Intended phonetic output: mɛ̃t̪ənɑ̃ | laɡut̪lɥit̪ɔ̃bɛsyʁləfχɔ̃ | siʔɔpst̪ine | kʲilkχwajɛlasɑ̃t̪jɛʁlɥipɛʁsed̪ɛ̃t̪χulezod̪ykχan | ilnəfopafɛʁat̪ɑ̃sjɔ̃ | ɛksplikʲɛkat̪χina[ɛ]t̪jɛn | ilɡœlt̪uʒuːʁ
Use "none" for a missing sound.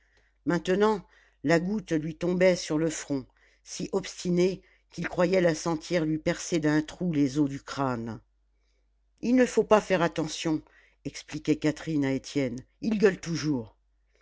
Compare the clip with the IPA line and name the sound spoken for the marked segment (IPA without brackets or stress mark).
e